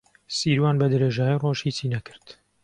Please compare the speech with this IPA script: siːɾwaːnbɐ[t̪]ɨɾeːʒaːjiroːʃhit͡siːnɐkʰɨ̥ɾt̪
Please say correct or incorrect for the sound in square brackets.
incorrect